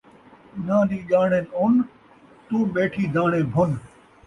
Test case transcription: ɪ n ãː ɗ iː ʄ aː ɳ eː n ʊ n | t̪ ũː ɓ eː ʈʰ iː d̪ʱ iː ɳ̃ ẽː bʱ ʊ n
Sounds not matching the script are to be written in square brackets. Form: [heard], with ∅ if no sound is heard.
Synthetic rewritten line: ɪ n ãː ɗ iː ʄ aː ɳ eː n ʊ n | t̪ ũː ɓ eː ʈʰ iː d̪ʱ [aː] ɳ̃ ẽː bʱ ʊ n

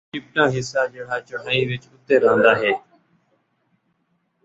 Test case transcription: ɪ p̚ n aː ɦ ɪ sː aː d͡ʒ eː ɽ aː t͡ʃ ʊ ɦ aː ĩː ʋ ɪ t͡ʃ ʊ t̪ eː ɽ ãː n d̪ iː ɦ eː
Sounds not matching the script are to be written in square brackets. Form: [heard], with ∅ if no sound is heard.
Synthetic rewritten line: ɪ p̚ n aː ɦ ɪ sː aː d͡ʒ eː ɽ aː t͡ʃ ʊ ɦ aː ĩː ʋ ɪ t͡ʃ ʊ t̪ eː [ɾ] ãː n d̪ [aː] ɦ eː

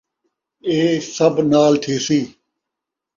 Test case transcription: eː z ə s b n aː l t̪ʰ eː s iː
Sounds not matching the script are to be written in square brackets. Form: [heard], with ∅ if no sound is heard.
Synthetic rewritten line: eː [s] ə [∅] b n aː l t̪ʰ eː s iː

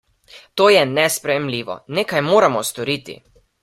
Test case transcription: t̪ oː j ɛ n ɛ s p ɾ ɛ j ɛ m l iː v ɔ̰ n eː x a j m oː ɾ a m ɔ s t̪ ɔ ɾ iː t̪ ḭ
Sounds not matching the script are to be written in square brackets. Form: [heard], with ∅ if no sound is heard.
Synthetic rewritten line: t̪ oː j ɛ n ɛ s p ɾ ɛ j ɛ m l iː [ʋ] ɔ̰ n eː [k] a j m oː ɾ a m ɔ s t̪ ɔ ɾ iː t̪ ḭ

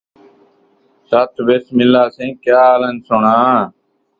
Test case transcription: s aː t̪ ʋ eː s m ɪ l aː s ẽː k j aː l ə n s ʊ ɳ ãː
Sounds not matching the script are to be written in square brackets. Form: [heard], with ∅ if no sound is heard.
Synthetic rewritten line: s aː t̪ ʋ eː s m ɪ l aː s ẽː k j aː l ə n s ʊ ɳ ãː

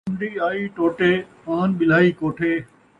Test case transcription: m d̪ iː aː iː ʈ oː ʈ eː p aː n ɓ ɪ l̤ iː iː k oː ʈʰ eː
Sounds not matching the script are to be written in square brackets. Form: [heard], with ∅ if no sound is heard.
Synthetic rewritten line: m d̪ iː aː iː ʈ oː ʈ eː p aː n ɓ ɪ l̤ [aː] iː k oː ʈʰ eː

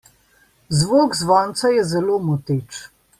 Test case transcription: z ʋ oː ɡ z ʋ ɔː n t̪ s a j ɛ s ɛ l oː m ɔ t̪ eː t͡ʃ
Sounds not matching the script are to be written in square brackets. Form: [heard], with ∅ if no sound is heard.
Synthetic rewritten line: z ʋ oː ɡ z ʋ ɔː n t̪ s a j ɛ [z] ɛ l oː m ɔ t̪ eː t͡ʃ

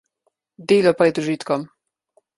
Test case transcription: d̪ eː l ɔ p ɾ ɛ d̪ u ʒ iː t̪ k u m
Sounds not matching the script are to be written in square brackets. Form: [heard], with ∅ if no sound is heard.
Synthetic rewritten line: d̪ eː l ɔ p ɾ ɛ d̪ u ʒ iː t̪ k [ɔ] m

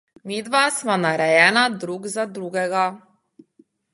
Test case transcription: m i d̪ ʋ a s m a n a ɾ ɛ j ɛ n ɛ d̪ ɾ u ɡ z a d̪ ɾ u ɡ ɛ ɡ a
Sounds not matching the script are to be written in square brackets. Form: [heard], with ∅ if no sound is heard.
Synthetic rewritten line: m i d̪ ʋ a s m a n a ɾ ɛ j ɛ n [a] d̪ ɾ u ɡ z a d̪ ɾ u ɡ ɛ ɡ a

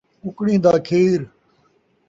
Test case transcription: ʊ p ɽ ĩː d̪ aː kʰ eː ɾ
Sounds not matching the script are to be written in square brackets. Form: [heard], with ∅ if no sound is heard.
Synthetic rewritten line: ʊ [k] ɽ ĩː d̪ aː kʰ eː ɾ

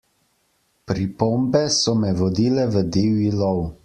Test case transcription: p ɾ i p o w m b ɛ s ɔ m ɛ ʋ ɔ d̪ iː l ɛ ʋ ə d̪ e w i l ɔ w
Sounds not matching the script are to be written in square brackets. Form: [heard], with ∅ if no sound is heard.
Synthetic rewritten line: p ɾ i p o [∅] m b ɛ s ɔ m ɛ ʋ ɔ d̪ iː l ɛ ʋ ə d̪ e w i l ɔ w

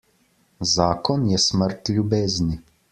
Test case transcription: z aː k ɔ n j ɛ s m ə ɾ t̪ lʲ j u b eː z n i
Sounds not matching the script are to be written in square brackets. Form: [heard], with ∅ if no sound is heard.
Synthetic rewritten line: z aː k ɔ n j ɛ s m ə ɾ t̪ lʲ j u b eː z n i

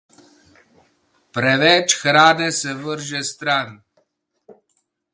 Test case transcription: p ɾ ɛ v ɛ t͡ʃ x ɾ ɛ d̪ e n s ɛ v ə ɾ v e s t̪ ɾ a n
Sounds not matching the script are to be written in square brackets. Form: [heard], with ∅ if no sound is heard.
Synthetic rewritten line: p ɾ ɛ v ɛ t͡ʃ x ɾ [a] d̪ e [∅] s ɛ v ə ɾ [ʒ] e s t̪ ɾ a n

